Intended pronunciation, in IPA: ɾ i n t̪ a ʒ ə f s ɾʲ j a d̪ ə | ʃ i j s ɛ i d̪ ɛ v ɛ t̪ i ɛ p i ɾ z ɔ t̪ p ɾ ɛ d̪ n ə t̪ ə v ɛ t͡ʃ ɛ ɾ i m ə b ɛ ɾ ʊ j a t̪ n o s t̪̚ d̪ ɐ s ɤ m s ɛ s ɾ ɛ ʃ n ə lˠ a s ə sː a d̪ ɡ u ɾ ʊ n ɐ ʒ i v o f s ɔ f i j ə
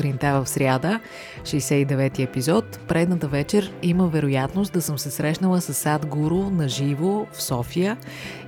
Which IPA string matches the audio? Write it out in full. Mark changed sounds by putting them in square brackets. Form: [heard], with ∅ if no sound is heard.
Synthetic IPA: ɾ i n t̪ a [v] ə f s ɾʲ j a d̪ ə | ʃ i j s ɛ i d̪ ɛ v ɛ t̪ i ɛ p i [∅] z ɔ t̪ p ɾ ɛ d̪ n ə t̪ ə v ɛ t͡ʃ ɛ ɾ i m ə [v] ɛ ɾ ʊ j a t̪ n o s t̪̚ d̪ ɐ s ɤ m s ɛ s ɾ ɛ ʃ n ə lˠ [ə] s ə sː a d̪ ɡ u ɾ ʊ n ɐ ʒ i v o f s ɔ f i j ə